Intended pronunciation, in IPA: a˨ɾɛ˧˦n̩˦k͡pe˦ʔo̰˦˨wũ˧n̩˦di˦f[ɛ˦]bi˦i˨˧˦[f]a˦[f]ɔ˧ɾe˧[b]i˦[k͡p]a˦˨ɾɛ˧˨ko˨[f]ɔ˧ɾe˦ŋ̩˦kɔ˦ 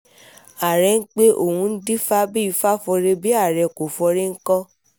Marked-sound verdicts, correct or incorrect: incorrect, correct, correct, correct, incorrect, correct

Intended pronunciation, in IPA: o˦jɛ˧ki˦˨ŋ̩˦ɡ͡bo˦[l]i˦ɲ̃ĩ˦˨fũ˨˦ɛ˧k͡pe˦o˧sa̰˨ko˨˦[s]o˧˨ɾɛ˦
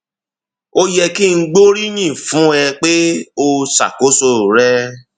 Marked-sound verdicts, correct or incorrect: incorrect, correct

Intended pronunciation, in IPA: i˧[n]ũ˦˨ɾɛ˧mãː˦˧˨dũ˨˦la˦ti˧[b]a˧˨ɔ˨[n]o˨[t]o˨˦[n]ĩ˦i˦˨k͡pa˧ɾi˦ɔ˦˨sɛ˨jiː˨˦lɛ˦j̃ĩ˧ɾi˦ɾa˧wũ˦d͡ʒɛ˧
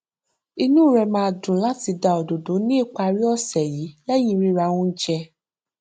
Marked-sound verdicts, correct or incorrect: correct, incorrect, incorrect, incorrect, correct

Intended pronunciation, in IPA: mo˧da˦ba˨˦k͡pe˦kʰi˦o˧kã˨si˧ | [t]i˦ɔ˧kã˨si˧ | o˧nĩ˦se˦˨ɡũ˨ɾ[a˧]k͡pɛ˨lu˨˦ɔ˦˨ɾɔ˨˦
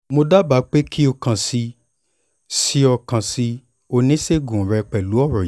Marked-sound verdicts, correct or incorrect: incorrect, incorrect

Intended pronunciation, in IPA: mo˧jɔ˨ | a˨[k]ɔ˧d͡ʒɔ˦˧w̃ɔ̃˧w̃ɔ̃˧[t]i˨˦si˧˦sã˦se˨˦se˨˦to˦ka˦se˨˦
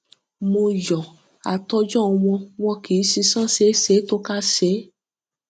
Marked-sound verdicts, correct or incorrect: incorrect, incorrect

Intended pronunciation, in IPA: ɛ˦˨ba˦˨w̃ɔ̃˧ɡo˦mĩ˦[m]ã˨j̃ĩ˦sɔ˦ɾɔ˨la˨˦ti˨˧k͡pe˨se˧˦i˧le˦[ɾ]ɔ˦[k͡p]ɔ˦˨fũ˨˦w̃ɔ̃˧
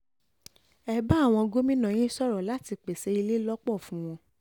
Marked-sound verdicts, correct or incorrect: incorrect, incorrect, correct

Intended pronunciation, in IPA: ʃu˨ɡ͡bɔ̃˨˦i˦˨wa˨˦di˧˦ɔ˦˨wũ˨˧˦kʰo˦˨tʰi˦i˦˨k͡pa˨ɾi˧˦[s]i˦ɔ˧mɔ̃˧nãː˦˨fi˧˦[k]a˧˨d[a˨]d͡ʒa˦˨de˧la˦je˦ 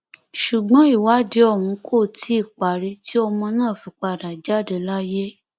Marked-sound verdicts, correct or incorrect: incorrect, incorrect, correct

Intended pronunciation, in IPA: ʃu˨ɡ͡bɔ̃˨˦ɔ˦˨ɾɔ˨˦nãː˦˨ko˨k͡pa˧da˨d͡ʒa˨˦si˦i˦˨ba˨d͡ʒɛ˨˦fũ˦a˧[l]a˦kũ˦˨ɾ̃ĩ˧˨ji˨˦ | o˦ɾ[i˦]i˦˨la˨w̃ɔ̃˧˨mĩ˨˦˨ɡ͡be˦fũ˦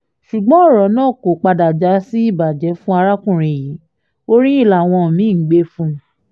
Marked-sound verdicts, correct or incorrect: incorrect, incorrect

